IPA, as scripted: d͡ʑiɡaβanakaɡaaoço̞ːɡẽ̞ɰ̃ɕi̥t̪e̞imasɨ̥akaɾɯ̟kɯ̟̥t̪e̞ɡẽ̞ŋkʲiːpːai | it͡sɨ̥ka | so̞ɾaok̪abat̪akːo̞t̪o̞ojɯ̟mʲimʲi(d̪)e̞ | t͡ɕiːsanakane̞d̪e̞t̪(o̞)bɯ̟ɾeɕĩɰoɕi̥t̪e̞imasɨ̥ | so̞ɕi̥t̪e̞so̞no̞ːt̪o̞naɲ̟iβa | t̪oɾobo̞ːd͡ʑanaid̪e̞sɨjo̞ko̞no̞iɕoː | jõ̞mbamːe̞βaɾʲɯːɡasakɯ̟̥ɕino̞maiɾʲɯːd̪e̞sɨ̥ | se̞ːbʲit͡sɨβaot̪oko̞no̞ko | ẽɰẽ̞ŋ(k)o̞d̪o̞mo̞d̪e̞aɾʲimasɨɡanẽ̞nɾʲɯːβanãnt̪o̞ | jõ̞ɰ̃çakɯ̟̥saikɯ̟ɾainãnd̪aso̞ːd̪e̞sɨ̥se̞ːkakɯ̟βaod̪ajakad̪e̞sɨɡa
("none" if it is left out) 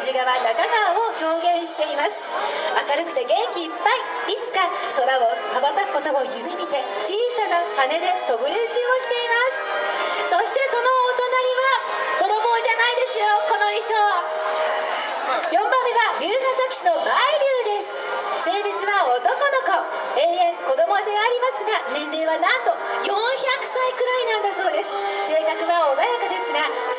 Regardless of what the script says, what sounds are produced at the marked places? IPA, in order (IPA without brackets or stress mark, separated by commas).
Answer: t̪, o̞, k